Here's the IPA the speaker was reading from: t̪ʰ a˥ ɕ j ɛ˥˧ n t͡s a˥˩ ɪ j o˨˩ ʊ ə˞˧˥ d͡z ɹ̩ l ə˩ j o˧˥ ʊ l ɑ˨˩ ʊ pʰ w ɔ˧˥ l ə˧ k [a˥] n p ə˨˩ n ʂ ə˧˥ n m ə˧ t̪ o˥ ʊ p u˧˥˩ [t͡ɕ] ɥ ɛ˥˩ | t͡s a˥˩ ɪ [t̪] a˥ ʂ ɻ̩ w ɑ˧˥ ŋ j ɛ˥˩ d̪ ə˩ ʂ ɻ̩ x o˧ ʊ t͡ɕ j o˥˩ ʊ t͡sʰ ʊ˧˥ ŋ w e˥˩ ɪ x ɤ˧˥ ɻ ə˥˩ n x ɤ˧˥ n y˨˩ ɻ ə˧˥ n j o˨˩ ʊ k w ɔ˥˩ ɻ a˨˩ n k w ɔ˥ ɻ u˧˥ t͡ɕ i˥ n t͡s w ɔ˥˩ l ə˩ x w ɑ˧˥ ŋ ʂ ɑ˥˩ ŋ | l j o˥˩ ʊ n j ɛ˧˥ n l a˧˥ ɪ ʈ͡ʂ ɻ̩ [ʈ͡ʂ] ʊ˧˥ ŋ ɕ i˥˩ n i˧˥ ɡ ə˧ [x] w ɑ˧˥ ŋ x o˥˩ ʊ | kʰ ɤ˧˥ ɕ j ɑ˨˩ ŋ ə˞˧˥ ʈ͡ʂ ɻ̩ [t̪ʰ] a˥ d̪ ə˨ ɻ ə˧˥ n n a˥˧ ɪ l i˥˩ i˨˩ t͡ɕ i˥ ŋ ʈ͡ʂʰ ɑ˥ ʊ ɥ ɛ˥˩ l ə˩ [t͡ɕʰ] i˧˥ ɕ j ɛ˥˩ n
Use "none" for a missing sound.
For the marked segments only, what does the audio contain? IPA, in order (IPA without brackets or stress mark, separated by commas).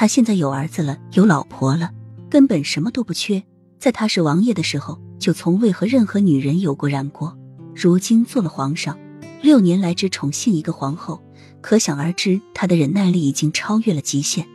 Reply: ə˥, t͡ɕʰ, t̪ʰ, ʈ͡ʂʰ, x, t̪ʰ, t͡ɕ